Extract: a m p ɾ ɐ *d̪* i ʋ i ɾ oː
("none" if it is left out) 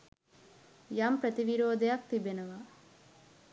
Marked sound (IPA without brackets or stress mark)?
t̪